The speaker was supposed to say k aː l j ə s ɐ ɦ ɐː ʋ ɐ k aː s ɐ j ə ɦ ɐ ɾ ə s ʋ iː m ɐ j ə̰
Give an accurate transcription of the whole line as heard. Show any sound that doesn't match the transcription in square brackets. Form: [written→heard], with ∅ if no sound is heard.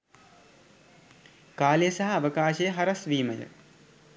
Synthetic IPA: k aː l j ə s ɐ ɦ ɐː ʋ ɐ k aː [s→ʃ] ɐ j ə ɦ ɐ ɾ [ə→ɐ] s ʋ iː m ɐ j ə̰